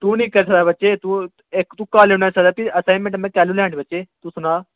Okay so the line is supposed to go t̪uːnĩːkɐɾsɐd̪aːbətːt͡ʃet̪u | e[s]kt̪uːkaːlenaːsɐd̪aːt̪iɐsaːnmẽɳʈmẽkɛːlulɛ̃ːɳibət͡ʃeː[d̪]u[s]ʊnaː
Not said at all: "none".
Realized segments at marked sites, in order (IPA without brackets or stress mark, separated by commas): none, t̪, s